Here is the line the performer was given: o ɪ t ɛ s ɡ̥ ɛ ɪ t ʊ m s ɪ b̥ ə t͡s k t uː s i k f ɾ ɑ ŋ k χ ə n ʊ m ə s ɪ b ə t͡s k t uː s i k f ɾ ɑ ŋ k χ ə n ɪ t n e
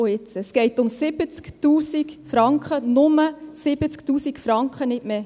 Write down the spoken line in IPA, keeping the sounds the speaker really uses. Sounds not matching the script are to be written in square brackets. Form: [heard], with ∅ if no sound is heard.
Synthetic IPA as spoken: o ɪ [t͡s] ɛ s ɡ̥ ɛ ɪ t ʊ m s ɪ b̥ ə t͡s k t uː s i k f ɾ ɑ ŋ k χ ə n ʊ m ə s ɪ b ə t͡s k t uː s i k f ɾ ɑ ŋ k χ ə n ɪ t [m] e

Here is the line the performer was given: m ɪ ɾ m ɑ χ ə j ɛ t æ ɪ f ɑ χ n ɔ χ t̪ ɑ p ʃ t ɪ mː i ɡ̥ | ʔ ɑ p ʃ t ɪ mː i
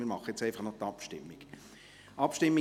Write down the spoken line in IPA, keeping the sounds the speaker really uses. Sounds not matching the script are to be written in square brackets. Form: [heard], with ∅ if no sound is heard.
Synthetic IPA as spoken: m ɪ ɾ m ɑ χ ə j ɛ [t͡s] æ ɪ f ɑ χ n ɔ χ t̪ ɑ p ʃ t ɪ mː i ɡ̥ | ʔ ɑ p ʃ t ɪ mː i

